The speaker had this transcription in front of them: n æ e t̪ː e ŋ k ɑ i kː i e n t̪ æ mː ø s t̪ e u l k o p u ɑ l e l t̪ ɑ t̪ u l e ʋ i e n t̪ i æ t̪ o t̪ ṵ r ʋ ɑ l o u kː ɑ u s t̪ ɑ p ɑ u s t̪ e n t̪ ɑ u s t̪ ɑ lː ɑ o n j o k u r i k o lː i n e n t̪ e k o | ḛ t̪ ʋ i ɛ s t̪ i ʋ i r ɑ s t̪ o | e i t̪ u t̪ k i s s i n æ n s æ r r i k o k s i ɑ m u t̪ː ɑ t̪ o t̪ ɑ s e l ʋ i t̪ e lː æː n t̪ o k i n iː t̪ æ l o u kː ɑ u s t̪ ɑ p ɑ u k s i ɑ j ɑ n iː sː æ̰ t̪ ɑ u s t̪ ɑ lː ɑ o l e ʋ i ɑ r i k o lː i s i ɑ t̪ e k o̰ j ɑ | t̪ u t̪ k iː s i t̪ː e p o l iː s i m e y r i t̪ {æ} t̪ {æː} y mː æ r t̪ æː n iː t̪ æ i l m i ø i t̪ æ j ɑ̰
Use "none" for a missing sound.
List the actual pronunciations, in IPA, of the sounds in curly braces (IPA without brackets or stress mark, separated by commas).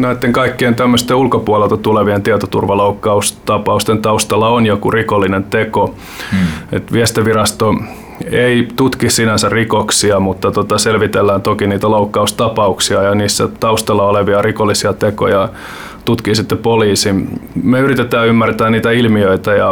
e, æː